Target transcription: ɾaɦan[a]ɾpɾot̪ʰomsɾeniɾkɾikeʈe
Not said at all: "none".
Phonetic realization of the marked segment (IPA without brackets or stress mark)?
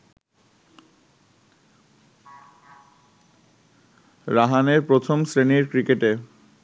e